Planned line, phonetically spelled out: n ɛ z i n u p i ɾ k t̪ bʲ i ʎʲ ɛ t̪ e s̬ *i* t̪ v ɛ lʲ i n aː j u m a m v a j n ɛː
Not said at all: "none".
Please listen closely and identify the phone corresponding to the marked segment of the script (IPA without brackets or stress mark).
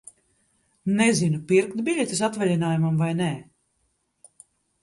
a